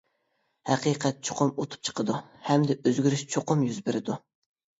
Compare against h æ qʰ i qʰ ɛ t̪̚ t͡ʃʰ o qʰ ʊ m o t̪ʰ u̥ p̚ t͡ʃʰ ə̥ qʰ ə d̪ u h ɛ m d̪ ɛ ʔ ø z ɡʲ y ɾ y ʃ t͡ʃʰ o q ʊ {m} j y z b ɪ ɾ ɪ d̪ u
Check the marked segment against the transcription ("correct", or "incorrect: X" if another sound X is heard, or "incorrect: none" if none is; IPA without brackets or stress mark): correct